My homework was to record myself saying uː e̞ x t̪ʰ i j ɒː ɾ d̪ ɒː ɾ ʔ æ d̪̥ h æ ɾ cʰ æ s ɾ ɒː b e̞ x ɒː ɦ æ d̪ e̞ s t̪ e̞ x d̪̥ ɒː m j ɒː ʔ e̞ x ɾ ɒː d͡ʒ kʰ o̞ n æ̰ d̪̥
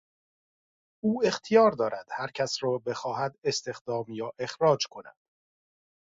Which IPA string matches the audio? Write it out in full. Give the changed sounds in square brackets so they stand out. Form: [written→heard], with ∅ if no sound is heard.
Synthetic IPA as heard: uː e̞ x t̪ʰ i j ɒː ɾ d̪ ɒː ɾ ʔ æ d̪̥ h æ ɾ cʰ æ s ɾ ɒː b e̞ x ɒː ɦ æ d̪ e̞ s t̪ e̞ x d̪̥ ɒː m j ɒː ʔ e̞ x ɾ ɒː d͡ʒ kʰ o̞ n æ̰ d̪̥